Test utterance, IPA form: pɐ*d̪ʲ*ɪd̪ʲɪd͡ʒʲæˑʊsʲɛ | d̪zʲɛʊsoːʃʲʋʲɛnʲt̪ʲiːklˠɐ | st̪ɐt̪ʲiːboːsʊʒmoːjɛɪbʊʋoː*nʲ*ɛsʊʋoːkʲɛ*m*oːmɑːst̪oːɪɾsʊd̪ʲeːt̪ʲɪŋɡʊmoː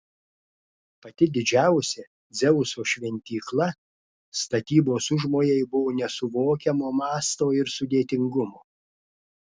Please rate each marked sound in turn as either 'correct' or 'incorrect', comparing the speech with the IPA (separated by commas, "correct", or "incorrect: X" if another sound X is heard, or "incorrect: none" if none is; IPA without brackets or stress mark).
incorrect: t̪ʲ, correct, correct